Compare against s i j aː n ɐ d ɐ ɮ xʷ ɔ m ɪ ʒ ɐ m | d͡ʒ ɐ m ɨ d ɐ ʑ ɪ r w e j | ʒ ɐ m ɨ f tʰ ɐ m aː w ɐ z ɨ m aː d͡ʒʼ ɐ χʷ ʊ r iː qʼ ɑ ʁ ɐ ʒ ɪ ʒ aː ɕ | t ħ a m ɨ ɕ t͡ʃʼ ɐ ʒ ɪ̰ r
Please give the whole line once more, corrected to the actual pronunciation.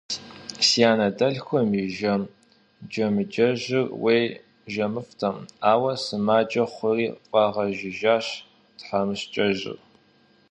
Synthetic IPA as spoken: s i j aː n ɐ d ɐ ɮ xʷ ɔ m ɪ ʒ ɐ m | d͡ʒ ɐ m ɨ d͡ʒ ɐ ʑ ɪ r w e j | ʒ ɐ m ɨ f tʰ ɐ m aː w ɐ s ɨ m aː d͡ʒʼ ɐ χʷ ʊ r iː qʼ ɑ ʁ ɐ ʒ ɪ ʒ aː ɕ | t ħ a m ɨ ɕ t͡ʃʼ ɐ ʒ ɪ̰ r

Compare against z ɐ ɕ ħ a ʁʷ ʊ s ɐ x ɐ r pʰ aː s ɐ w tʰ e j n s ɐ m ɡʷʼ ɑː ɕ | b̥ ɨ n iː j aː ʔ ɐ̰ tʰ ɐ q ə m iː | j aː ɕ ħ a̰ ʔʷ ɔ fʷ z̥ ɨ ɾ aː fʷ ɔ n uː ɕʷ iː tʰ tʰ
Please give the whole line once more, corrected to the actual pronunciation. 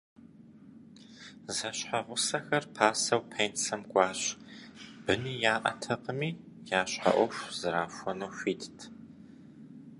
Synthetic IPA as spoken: z ɐ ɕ ħ a ʁʷ ʊ s ɐ x ɐ r pʰ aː s ɐ w pʰ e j n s ɐ m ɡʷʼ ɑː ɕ | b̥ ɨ n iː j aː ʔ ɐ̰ tʰ ɐ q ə m iː | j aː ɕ ħ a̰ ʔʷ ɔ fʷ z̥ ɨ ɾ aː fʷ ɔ n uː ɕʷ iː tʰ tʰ

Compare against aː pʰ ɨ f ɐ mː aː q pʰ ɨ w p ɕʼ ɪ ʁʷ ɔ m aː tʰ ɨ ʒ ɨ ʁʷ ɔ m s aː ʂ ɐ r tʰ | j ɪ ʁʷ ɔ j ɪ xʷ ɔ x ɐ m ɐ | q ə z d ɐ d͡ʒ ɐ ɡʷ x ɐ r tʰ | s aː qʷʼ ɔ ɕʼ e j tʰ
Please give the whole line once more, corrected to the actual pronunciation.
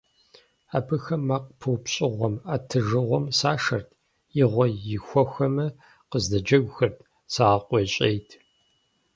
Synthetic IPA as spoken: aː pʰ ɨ x ɐ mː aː q pʰ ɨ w p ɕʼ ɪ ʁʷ ɔ m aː tʰ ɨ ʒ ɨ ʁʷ ɔ m s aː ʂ ɐ r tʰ | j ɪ ʁʷ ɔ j ɪ xʷ ɔ x ɐ m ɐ | q ə z d ɐ d͡ʒ ɐ ɡʷ x ɐ r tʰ | s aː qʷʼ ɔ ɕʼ e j tʰ

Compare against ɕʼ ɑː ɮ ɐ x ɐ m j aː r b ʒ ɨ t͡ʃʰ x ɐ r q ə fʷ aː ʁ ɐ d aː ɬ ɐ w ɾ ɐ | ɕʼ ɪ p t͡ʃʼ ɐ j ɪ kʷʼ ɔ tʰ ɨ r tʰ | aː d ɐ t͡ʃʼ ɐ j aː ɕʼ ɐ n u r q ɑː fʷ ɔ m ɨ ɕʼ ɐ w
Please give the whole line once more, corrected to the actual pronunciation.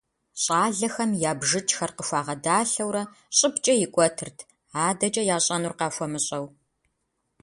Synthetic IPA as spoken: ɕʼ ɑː ɮ ɐ x ɐ m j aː b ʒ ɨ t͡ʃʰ x ɐ r q ə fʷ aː ʁ ɐ d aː ɬ ɐ w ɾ ɐ | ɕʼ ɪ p t͡ʃʼ ɐ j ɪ kʷʼ ɔ tʰ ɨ r tʰ | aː d ɐ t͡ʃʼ ɐ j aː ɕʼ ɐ n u r q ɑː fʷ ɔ m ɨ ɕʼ ɐ w

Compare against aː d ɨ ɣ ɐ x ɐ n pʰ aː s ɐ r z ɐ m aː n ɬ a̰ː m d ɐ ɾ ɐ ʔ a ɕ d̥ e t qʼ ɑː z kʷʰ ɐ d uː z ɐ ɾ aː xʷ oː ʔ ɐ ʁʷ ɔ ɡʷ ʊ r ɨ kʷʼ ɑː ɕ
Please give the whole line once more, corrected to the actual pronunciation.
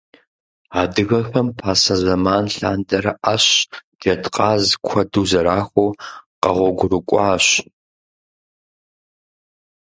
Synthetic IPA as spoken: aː d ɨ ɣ ɐ x ɐ m pʰ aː s ɐ z ɐ m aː n ɬ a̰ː n d ɐ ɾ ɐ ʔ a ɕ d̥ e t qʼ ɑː z kʷʰ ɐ d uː z ɐ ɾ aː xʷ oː q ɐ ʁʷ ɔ ɡʷ ʊ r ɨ kʷʼ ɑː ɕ

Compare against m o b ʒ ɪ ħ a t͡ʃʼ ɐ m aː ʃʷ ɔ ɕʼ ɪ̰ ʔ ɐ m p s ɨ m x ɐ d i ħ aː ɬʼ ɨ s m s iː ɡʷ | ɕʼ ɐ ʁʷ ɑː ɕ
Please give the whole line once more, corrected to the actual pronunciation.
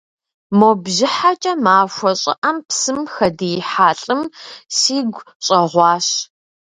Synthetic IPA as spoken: m o b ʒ ɪ ħ a t͡ʃʼ ɐ m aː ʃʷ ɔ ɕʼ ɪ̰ ʔ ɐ m p s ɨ m x ɐ d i ħ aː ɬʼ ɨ m s iː ɡʷ | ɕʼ ɐ ʁʷ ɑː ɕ

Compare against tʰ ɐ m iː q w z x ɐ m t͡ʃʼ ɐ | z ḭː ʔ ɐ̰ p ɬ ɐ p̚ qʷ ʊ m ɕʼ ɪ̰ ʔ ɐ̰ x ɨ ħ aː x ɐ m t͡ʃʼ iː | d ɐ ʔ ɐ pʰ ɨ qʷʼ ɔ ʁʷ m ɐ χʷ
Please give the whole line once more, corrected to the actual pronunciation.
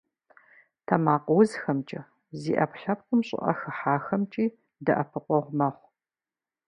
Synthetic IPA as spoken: tʰ ɐ m aː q w z x ɐ m t͡ʃʼ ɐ | z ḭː ʔ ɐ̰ p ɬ ɐ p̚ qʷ ʊ m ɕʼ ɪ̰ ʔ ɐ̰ x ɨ ħ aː x ɐ m t͡ʃʼ iː | d ɐ ʔ ɐ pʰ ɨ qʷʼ ɔ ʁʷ m ɐ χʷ

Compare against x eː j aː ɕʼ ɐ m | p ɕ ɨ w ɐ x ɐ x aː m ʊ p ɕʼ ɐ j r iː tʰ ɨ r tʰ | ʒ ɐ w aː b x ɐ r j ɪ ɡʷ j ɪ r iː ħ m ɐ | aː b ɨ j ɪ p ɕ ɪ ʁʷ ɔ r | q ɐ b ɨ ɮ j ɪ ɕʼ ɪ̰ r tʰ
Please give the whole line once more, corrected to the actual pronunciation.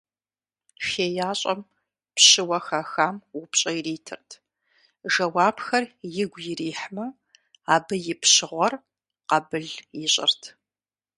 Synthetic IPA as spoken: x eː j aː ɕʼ ɐ m | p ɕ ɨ w ɐ x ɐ x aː m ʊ p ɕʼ ɐ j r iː tʰ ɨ r tʰ | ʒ ɐ w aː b x ɐ r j ɪ ɡʷ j ɪ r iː ħ m ɐ | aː b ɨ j ɪ p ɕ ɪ ʁʷ ɔ r | q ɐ b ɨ ɮ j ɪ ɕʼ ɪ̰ r tʰ

